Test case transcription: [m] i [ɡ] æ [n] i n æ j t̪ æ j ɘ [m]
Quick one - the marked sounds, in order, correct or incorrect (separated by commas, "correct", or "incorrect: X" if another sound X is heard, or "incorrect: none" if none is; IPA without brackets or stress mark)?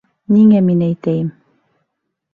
incorrect: n, incorrect: ŋ, incorrect: m, correct